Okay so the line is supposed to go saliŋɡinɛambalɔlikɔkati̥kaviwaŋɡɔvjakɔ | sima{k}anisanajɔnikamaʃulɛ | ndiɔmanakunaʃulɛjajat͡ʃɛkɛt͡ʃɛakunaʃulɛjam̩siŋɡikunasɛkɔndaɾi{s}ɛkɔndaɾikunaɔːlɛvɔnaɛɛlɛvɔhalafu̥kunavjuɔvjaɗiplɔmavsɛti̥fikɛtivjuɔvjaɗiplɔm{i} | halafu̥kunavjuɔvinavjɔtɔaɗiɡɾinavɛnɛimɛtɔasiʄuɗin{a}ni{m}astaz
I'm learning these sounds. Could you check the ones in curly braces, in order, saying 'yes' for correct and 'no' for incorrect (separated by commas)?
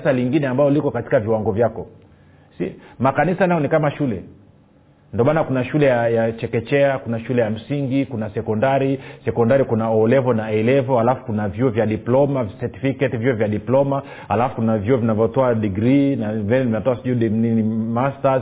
yes, yes, no, no, yes